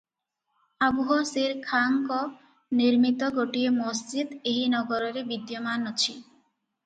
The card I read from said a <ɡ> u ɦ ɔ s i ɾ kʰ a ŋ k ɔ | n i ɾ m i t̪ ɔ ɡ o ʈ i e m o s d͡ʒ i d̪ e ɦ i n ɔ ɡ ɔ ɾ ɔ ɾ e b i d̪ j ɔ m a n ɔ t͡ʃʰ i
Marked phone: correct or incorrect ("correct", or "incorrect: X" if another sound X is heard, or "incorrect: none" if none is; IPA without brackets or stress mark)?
incorrect: b